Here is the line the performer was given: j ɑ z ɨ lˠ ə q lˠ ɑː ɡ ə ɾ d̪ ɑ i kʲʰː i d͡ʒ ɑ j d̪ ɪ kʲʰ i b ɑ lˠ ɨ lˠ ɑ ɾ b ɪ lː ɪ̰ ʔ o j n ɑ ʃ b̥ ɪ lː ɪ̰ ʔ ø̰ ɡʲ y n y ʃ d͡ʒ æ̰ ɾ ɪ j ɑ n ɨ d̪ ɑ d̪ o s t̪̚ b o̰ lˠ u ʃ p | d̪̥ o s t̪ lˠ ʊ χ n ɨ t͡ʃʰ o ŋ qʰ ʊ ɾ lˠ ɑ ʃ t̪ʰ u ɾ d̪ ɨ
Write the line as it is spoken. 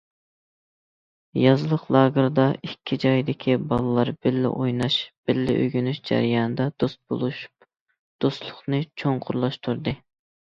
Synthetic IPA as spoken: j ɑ z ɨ lˠ ə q lˠ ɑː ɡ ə ɾ d̪ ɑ i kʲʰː i d͡ʒ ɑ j d̪ ɪ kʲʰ i b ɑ lˠ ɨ lˠ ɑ ɾ b ɪ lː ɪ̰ ʔ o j n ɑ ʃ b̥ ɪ lː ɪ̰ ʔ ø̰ ɡʲ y n y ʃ d͡ʒ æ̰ ɾ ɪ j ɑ n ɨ d̪ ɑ d̪ o s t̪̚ b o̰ lˠ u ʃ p | d̪̥ o s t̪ lˠ ʊ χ n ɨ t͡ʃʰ o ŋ qʰ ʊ ɾ lˠ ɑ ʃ t̪ʰ u ɾ d̪ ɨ

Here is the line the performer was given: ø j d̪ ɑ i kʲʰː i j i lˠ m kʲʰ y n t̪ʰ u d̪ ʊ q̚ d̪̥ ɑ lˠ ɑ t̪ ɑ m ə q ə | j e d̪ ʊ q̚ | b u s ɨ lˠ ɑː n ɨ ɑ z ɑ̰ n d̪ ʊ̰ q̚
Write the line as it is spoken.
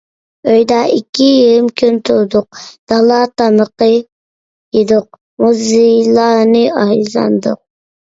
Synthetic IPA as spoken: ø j d̪ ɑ i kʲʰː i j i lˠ m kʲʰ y n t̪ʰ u d̪ ʊ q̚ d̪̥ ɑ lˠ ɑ t̪ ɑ m ə q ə | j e d̪ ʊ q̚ | m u z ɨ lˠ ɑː n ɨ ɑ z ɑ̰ n d̪ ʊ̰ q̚

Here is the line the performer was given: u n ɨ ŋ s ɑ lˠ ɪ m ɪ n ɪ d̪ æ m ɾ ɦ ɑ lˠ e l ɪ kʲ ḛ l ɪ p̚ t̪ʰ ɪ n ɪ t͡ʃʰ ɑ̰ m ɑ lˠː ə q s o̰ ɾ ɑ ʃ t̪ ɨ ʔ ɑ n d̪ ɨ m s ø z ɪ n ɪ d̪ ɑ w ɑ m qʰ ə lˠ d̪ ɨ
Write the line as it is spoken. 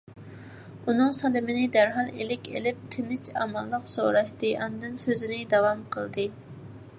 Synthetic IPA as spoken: u n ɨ ŋ s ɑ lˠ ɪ m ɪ n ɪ d̪ æ ɾ ɦ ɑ lˠ e l ɪ kʲ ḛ l ɪ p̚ t̪ʰ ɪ n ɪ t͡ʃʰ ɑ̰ m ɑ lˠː ə q s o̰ ɾ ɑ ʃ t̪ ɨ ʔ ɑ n d̪ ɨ n s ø z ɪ n ɪ d̪ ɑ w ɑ m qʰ ə lˠ d̪ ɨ

